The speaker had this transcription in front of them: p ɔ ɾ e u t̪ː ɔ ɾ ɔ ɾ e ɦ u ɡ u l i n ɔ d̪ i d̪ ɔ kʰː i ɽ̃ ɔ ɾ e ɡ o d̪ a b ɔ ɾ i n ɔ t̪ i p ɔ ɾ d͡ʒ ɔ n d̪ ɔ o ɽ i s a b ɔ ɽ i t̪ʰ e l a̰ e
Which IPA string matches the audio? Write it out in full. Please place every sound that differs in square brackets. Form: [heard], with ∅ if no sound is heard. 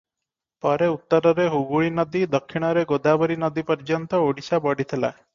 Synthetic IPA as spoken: p ɔ ɾ e u t̪ː ɔ ɾ ɔ ɾ e ɦ u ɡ u [ɭ] i n ɔ d̪ i d̪ ɔ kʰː i ɽ̃ ɔ ɾ e ɡ o d̪ a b ɔ ɾ i n ɔ [d̪] i p ɔ ɾ d͡ʒ ɔ n [t̪] ɔ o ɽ i s a b ɔ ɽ i t̪ʰ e l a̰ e